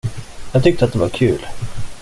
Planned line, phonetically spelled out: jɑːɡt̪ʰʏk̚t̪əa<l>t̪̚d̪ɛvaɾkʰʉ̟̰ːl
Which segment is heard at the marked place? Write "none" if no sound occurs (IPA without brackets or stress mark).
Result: none